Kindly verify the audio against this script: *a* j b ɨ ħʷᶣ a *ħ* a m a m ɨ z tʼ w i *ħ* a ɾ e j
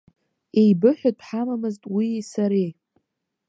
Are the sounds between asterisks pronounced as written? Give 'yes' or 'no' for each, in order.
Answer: no, yes, no

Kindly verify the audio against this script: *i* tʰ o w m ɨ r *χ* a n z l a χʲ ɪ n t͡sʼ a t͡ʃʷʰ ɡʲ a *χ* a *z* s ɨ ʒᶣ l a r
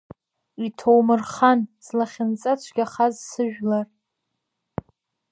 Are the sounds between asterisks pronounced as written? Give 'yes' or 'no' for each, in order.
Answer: yes, yes, yes, yes

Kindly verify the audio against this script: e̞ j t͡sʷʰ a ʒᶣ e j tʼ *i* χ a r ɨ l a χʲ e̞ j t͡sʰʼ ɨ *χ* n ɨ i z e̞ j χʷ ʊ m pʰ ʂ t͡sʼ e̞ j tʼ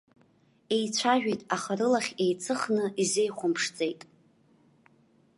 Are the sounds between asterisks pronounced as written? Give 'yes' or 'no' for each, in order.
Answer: no, yes

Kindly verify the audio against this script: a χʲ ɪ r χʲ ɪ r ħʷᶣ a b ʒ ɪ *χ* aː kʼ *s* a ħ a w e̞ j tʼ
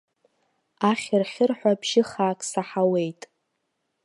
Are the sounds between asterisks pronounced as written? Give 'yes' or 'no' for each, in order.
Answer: yes, yes

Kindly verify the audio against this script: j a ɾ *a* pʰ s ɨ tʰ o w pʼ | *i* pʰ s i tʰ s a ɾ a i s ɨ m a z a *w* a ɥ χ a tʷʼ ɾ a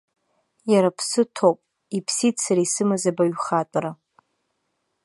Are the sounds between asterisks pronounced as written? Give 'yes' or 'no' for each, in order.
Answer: yes, yes, no

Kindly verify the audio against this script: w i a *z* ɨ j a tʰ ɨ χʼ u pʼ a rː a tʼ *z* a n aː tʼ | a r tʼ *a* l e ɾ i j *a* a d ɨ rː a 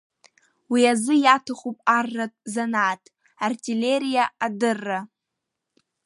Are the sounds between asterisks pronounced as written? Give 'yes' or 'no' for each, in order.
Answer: yes, yes, no, yes

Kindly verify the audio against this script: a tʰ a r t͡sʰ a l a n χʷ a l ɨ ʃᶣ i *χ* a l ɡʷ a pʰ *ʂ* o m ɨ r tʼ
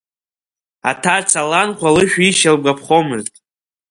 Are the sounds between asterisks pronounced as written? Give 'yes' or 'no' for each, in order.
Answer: no, no

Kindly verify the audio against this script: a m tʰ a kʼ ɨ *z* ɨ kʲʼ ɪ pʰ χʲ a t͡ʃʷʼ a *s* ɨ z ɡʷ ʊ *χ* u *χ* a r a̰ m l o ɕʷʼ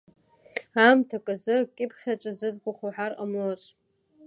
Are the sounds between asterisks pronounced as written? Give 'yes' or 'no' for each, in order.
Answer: yes, no, yes, no

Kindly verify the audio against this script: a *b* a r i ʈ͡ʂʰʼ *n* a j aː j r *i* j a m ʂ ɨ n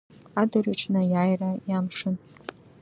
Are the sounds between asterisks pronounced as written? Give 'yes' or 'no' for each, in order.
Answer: no, yes, no

